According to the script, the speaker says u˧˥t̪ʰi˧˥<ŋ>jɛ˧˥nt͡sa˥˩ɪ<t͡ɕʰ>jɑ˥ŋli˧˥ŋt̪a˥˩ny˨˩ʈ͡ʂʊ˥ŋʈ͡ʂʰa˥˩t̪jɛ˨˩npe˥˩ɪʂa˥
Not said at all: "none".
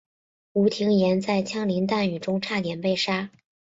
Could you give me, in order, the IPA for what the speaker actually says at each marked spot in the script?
ŋ, t͡ɕʰ

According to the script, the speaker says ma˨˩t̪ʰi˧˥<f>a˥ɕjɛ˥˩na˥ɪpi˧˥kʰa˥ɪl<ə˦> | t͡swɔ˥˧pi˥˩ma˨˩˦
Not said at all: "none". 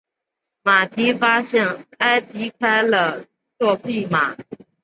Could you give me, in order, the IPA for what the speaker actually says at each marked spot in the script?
f, ə˨

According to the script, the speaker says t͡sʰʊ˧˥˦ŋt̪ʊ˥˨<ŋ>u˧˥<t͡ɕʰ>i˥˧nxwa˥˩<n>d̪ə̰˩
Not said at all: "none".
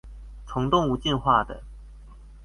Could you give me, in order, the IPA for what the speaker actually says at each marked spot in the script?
ŋ, t͡ɕ, none

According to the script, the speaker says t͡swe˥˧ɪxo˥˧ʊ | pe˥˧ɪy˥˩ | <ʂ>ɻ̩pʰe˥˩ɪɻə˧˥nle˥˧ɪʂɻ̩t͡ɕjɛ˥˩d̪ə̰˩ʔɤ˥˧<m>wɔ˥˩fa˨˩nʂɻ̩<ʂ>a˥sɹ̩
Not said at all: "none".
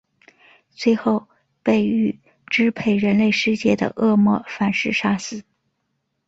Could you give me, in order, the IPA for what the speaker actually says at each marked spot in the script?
ʈ͡ʂ, m, ʂ

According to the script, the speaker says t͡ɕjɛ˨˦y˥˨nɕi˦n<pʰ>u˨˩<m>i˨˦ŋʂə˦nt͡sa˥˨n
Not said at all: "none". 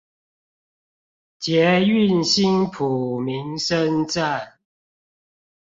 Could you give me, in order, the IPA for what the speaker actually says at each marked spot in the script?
pʰ, m

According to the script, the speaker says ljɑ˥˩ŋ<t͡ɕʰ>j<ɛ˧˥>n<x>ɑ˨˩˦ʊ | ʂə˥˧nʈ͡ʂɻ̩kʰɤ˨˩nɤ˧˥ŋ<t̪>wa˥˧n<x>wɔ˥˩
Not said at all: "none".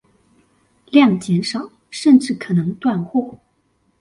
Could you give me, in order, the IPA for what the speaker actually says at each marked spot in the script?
t͡ɕ, ɛ˧˥, ʂ, t̪, x

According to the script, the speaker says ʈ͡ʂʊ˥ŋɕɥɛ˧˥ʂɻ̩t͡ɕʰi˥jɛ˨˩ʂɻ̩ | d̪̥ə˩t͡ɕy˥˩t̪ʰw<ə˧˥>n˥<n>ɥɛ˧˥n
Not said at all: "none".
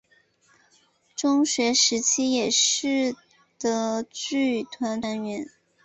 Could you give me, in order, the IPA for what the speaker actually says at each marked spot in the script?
a˧˥, n

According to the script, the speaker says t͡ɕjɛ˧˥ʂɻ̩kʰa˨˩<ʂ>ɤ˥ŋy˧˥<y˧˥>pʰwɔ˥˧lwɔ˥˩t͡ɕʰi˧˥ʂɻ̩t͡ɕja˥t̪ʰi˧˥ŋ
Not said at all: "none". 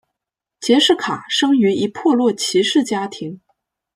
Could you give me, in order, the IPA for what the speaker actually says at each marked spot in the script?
ʂ, i˧˥

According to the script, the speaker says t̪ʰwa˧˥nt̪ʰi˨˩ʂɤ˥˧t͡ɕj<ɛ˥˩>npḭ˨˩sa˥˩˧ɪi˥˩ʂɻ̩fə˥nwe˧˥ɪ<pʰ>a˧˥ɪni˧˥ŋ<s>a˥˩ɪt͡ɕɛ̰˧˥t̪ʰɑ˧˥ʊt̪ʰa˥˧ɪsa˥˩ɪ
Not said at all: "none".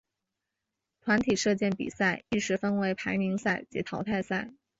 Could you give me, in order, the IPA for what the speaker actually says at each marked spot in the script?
ɛ˥˩, pʰ, s

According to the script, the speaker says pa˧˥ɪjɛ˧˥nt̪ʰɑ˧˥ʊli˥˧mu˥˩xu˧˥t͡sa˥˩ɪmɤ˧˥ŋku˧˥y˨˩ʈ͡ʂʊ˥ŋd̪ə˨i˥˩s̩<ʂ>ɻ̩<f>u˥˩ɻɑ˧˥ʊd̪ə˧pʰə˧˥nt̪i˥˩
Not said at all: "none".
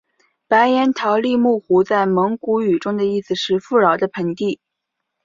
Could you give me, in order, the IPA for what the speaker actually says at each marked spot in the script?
ʂ, f

